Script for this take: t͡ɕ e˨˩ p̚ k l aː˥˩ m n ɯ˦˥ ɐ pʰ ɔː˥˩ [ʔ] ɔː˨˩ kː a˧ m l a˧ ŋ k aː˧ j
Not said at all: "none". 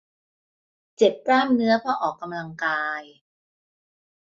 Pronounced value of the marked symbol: ʔ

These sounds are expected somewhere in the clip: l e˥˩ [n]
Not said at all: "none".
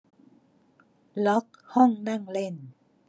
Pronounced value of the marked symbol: n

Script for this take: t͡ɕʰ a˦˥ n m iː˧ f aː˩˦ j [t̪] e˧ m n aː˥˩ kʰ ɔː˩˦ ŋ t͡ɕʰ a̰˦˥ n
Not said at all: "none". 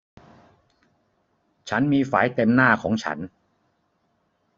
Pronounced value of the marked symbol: t̪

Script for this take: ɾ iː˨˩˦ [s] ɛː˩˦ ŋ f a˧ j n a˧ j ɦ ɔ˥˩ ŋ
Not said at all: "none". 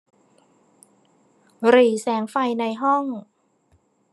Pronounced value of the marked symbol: s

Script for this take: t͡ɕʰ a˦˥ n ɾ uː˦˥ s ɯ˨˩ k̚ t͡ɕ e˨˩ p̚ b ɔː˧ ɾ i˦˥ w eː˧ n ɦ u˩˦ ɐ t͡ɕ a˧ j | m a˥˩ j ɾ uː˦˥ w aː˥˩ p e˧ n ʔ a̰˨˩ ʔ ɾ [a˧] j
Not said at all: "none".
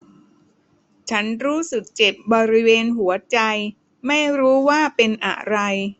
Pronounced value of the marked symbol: a˧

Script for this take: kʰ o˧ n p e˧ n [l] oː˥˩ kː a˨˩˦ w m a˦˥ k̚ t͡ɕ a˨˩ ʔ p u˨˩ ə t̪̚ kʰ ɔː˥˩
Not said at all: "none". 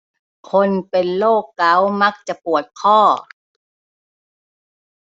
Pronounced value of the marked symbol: l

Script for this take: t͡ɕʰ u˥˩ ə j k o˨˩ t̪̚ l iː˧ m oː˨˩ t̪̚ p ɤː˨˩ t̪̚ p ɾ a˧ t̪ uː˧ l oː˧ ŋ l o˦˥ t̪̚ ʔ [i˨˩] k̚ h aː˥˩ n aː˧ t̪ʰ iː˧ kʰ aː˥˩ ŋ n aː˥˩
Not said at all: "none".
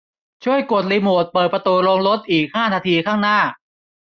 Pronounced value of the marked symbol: iː˨˩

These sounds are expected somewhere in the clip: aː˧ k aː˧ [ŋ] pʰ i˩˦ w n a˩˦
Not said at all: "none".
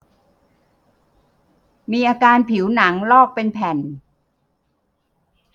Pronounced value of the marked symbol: n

